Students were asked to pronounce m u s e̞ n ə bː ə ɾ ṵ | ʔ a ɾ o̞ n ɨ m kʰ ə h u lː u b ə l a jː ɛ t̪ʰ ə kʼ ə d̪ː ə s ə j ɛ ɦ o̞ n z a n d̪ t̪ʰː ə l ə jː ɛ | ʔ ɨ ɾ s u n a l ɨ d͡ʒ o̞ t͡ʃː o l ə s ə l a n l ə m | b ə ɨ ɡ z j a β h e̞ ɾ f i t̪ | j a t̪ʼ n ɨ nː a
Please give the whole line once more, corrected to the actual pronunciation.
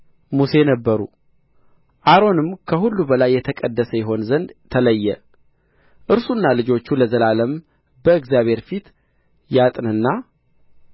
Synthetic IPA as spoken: m u s e̞ n ə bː ə ɾ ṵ | ʔ a ɾ o̞ n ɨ m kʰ ə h u lː u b ə l a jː ɛ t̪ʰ ə kʼ ə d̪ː ə s ə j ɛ ɦ o̞ n z ə n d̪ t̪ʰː ə l ə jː ɛ | ʔ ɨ ɾ s u nː a l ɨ d͡ʒ o̞ t͡ʃː u l ə z ə l a l ə m | b ə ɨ ɡ z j a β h e̞ ɾ f i t̪ | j a t̪ʼ n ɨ nː a